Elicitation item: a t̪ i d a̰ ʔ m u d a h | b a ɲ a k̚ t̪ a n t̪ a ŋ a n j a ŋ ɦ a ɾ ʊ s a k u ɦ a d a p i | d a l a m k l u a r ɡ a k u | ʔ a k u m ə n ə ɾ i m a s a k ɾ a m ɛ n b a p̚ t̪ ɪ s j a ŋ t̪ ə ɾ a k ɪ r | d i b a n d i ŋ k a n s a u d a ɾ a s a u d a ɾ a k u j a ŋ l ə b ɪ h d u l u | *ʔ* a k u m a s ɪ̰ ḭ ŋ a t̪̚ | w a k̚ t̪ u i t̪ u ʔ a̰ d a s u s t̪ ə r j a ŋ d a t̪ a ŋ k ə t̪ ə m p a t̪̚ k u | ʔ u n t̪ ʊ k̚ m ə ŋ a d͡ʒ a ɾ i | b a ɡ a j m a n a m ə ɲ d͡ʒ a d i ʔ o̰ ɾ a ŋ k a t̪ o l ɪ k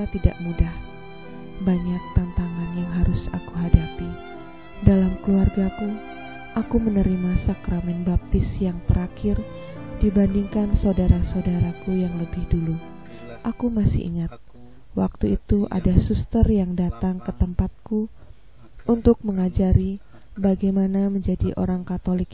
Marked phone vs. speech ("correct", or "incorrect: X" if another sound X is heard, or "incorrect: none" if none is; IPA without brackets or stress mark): correct